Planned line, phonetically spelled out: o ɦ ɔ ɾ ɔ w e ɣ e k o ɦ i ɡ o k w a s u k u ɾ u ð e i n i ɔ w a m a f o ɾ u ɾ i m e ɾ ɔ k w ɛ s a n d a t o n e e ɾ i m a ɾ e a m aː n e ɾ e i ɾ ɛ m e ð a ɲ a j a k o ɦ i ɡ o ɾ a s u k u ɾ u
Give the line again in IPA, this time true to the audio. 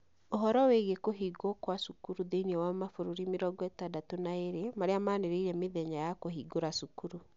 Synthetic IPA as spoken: o ɦ ɔ ɾ ɔ w e ɣ e k o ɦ i ɡ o k w a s u k u ɾ u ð e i n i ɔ w a m a f o ɾ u ɾ i m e ɾ ɔ ɡ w ɛ t a d a t o n a e ɾ e m a ɾ e a m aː n e ɾ e i ɾ ɛ m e ð ɛ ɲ a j a k o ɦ i ɡ o ɾ a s u k u ɾ u